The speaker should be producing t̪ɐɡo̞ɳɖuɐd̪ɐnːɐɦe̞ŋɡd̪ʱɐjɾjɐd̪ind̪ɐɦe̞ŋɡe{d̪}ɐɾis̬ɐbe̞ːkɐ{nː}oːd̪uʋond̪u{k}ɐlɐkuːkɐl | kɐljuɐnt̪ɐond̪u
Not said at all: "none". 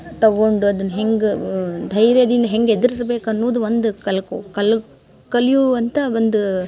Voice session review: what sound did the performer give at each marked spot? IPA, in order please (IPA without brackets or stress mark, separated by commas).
d̪, nː, k